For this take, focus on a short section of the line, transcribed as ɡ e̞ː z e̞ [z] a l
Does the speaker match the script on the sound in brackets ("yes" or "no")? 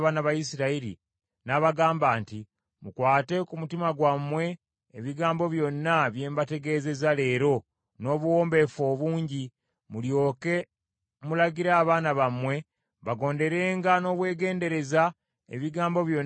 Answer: yes